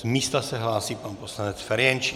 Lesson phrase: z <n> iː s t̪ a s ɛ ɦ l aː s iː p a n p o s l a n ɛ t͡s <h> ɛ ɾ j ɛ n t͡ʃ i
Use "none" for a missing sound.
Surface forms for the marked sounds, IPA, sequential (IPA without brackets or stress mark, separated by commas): m, f